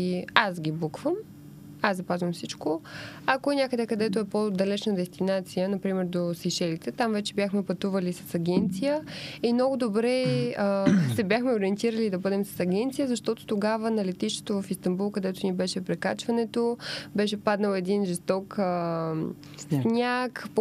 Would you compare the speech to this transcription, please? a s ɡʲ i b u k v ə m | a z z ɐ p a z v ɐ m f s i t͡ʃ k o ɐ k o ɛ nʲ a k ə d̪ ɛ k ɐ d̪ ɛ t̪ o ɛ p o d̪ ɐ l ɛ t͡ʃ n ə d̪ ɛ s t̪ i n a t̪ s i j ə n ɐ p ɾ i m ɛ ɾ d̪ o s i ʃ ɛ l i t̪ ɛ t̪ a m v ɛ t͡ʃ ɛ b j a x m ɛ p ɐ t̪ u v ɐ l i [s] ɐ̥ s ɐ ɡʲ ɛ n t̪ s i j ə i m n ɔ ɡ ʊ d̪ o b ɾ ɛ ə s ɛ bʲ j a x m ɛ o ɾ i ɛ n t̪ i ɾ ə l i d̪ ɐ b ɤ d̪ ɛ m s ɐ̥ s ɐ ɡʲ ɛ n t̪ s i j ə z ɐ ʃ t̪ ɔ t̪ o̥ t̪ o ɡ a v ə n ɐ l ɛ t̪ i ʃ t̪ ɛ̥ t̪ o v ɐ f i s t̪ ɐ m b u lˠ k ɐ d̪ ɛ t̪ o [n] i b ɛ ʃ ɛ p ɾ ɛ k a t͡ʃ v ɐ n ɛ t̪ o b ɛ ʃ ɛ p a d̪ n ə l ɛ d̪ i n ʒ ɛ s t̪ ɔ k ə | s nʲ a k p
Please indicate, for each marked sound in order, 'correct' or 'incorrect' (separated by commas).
correct, correct